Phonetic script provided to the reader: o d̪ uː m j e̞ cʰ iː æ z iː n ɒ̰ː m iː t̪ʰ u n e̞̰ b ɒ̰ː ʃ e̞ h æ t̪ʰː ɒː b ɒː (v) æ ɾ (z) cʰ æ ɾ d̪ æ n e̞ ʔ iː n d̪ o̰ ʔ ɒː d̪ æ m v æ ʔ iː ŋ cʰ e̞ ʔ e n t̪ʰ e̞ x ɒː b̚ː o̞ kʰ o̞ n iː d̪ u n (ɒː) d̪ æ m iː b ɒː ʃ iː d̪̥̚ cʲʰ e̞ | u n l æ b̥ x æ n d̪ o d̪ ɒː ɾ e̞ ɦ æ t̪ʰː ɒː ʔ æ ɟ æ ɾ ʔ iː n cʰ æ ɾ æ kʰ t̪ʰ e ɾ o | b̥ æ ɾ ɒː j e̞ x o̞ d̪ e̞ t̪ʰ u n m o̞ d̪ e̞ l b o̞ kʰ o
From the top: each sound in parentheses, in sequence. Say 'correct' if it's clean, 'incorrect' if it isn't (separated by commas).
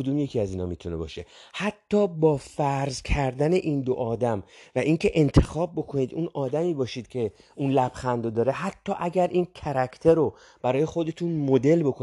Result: incorrect, correct, correct